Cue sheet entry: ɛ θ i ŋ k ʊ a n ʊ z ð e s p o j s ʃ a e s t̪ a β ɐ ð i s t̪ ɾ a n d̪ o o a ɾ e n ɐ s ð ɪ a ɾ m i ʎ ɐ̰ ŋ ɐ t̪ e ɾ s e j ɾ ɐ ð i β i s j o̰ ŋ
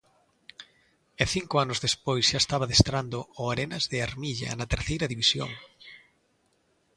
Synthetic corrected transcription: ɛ θ i ŋ k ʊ a n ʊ z ð e s p o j s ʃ a e s t̪ a β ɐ ð e s t̪ ɾ a n d̪ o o a ɾ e n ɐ z ð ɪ a ɾ m i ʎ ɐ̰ n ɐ t̪ e ɾ θ e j ɾ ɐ ð i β i s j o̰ ŋ